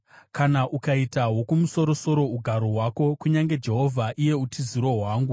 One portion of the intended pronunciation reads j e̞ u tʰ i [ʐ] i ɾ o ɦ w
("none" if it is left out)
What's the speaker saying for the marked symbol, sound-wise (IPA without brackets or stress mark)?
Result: z